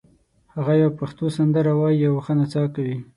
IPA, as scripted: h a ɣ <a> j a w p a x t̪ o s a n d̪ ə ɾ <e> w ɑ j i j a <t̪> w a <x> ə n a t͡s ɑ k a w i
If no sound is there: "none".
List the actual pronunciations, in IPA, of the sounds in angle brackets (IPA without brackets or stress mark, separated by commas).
a, a, none, x